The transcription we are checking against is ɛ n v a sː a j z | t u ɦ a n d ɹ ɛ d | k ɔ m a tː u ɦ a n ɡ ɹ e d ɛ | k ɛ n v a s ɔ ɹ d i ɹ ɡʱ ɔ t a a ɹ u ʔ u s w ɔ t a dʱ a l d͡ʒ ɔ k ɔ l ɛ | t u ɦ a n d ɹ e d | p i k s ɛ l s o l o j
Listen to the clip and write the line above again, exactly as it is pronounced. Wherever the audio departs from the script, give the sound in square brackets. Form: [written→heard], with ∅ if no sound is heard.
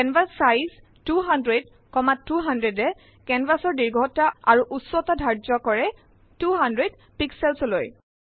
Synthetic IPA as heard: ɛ n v a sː a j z | t u ɦ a n d ɹ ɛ d | k ɔ m a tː u ɦ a n [ɡ→d] ɹ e d ɛ | k ɛ n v a s ɔ ɹ d i ɹ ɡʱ ɔ t a a ɹ u ʔ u s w ɔ t a dʱ a [l→ɹ] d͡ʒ ɔ k ɔ [l→ɹ] ɛ | t u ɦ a n d ɹ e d | p i k s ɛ l s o l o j